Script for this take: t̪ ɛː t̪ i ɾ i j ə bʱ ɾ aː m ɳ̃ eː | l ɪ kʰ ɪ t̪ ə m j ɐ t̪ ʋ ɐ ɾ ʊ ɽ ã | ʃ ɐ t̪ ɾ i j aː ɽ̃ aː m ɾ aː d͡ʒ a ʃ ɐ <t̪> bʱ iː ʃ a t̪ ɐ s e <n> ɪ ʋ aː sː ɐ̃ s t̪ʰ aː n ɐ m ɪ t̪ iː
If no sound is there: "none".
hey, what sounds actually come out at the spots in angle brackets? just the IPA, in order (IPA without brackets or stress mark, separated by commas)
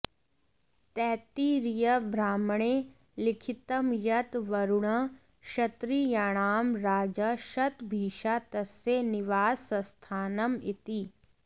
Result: t̪, n